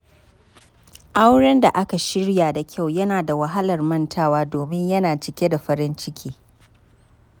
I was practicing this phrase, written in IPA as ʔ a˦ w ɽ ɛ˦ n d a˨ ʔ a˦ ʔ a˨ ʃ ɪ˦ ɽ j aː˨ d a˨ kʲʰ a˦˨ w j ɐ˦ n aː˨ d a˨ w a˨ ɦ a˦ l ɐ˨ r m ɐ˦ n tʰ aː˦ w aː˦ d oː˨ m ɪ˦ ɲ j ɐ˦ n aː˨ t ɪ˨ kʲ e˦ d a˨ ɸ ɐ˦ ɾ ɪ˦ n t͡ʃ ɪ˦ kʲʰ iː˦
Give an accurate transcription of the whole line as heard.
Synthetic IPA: ʔ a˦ w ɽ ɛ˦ n d a˨ ʔ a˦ k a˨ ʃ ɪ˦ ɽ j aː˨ d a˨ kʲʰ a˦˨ w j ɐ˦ n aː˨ d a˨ w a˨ ɦ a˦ l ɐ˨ r m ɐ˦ n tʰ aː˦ w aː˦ d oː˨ m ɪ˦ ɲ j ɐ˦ n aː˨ t͡ʃ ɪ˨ kʲ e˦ d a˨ ɸ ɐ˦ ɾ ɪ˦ n t͡ʃ ɪ˦ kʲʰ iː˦